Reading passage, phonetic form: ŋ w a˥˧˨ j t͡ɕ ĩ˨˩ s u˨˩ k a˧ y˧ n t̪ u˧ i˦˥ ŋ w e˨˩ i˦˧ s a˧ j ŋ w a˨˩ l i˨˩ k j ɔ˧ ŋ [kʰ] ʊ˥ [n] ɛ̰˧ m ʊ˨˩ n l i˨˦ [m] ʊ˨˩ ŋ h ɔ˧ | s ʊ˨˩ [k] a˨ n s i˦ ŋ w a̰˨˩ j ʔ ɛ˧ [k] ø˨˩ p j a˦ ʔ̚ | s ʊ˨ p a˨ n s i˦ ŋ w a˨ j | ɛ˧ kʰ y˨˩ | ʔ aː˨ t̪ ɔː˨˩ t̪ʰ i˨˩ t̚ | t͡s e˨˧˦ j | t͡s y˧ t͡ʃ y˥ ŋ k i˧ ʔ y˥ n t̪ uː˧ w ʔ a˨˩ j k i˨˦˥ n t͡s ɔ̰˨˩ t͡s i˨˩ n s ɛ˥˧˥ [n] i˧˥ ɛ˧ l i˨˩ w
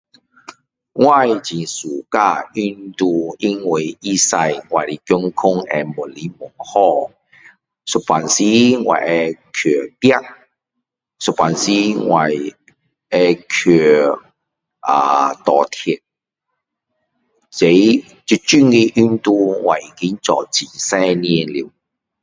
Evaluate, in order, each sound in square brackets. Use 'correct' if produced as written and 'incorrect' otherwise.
correct, incorrect, correct, incorrect, incorrect, correct

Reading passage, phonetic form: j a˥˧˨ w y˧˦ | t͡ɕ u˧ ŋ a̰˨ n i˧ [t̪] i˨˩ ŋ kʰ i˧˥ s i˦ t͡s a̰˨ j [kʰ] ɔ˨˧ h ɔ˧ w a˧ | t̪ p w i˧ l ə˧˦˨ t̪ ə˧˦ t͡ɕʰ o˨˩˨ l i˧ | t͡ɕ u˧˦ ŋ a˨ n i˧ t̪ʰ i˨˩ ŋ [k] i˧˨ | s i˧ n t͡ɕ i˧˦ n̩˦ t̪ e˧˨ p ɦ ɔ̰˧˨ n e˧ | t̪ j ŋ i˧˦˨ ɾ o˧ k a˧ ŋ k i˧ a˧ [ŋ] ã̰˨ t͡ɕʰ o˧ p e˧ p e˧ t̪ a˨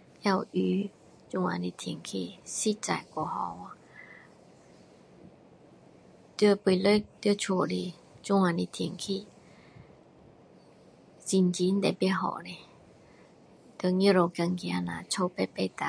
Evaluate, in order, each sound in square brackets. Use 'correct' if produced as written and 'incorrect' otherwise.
incorrect, incorrect, incorrect, incorrect

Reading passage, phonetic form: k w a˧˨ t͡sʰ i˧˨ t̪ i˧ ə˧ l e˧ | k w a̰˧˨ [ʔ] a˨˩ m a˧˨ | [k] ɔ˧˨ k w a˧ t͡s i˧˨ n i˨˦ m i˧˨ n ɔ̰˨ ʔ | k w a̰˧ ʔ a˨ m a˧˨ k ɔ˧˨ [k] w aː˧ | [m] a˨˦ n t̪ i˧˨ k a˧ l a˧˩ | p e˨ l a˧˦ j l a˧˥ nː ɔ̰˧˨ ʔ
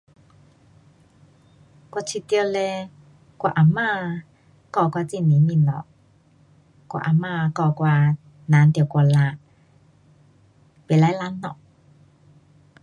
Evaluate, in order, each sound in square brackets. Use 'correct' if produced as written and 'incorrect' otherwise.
correct, correct, correct, incorrect

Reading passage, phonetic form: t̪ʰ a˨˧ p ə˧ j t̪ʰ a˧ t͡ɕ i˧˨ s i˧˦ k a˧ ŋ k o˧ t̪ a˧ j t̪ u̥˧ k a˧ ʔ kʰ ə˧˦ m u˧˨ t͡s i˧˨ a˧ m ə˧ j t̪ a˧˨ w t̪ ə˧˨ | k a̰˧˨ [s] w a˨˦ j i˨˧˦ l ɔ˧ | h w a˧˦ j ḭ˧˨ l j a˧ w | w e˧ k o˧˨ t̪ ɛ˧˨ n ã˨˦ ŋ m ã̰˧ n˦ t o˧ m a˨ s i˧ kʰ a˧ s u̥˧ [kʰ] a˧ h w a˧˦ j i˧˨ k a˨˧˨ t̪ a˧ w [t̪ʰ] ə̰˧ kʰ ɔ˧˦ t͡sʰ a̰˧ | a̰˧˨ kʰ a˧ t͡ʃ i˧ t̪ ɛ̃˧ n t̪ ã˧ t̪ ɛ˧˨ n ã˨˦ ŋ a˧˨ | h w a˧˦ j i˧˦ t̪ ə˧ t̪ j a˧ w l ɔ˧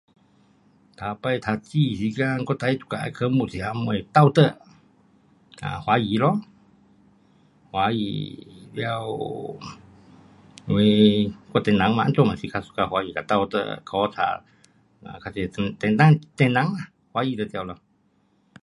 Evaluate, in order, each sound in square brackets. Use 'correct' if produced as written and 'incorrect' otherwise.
incorrect, incorrect, incorrect

